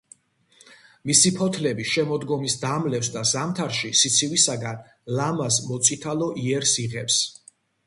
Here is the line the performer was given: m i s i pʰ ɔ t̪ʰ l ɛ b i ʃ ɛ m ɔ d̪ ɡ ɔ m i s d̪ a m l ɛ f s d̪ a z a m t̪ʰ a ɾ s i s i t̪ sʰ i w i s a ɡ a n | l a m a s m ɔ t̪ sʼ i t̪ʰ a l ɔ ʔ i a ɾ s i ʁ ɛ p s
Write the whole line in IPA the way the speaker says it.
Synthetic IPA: m i s i pʰ ɔ t̪ʰ l ɛ b i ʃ ɛ m ɔ d̪ ɡ ɔ m i s d̪ a m l ɛ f s d̪ a z a m t̪ʰ a ɾ ʃ i s i t̪ sʰ i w i s a ɡ a n | l a m a s m ɔ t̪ sʼ i t̪ʰ a l ɔ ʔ i ɛ ɾ s i ʁ ɛ p s